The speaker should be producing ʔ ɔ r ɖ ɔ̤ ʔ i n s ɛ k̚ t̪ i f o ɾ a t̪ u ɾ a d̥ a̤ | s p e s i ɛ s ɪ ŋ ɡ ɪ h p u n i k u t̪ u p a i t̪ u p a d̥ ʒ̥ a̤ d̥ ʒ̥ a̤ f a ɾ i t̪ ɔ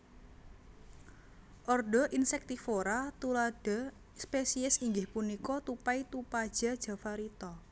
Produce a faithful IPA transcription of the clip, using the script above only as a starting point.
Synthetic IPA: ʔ ɔ r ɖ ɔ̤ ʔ i n s ɛ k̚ t̪ i f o ɾ a t̪ u l a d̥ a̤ | s p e s i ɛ s i ŋ ɡ ɪ h p u n i k ɔ t̪ u p a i t̪ u p a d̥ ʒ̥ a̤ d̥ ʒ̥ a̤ f a ɾ i t̪ ɔ